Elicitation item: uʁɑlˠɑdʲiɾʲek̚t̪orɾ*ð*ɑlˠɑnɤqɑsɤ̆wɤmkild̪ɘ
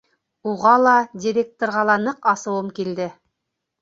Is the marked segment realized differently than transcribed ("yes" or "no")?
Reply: yes